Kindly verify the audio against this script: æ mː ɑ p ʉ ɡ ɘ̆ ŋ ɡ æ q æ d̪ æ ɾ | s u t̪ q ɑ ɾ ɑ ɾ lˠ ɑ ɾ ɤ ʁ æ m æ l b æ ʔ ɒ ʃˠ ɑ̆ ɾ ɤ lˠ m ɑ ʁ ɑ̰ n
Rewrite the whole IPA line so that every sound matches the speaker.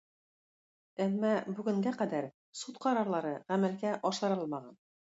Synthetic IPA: æ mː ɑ b ʉ ɡ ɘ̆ ŋ ɡ æ q æ d̪ æ ɾ | s u t̪ q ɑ ɾ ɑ ɾ lˠ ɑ ɾ ɤ ʁ æ m æ l ɡ æ ʔ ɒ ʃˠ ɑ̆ ɾ ɤ lˠ m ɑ ʁ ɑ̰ n